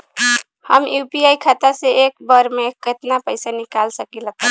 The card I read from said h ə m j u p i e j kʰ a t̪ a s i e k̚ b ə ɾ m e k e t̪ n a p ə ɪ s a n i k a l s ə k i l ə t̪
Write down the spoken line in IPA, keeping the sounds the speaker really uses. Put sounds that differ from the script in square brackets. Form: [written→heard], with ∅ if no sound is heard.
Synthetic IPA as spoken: h ə m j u p i [e→a] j kʰ a t̪ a s [i→e] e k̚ b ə ɾ m e k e t̪ n a p ə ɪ s a n i k a l s ə k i l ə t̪